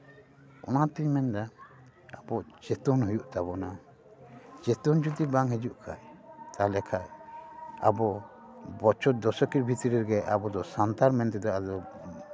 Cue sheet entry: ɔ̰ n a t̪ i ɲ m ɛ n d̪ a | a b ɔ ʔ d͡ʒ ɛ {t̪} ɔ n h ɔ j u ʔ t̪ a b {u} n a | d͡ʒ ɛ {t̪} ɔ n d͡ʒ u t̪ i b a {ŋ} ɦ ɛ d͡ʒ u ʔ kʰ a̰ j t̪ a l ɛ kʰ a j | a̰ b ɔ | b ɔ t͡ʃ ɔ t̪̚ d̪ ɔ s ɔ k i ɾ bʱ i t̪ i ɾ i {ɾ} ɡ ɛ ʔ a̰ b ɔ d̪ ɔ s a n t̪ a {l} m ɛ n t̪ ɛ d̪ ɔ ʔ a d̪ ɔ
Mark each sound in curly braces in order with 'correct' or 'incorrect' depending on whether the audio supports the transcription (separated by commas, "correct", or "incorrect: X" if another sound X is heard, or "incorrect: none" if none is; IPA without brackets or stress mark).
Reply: correct, incorrect: ɔ, correct, correct, correct, incorrect: ɾ